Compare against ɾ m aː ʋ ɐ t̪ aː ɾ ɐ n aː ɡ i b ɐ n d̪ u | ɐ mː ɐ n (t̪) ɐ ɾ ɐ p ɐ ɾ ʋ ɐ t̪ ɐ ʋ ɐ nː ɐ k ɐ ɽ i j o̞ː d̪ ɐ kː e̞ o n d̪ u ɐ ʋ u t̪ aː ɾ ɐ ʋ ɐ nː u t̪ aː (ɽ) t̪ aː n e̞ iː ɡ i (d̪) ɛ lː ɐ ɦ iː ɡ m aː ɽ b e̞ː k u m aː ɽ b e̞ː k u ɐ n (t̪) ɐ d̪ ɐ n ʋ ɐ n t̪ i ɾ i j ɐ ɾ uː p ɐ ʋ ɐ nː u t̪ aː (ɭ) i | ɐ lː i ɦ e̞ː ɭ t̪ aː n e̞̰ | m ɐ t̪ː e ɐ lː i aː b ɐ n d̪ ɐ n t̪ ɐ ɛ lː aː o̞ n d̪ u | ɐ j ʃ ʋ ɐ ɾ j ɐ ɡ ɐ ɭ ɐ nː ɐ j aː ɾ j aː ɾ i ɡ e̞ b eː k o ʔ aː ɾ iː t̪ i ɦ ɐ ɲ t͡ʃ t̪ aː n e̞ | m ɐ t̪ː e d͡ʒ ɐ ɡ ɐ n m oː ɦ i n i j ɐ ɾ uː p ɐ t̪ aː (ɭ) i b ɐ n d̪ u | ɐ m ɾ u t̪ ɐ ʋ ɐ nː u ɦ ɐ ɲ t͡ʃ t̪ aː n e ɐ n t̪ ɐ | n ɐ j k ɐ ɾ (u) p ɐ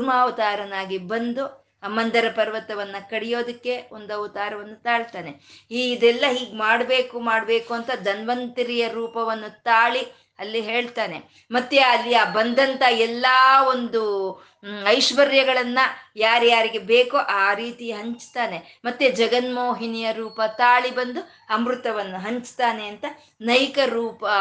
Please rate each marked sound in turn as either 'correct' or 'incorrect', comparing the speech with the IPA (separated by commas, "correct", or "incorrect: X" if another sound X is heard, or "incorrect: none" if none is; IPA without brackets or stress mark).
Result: incorrect: d̪, incorrect: ɭ, correct, correct, correct, correct, incorrect: uː